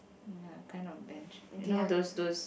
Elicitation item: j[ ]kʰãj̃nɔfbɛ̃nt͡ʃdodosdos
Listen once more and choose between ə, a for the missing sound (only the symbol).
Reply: a